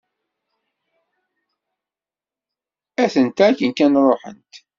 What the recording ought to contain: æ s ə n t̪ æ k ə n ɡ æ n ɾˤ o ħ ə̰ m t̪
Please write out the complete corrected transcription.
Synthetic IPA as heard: æ θ ə n t̪ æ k ə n k æ n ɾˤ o ħ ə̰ n t̪